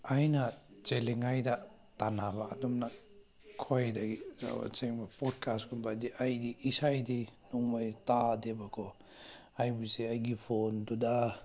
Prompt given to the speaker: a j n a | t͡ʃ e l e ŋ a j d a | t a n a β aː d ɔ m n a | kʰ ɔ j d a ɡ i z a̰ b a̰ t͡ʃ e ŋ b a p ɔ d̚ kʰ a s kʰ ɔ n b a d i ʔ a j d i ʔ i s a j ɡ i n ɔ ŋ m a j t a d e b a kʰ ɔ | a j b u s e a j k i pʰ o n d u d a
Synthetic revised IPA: a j n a | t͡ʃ e l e ŋ a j d a | t a n a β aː d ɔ m n a | kʰ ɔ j d a ɡ i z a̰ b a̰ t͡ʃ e ŋ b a p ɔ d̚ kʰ a s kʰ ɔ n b a d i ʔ a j d i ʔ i s a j d i n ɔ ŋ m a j t a d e b a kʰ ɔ | a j b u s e a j ɡ i pʰ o n d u d a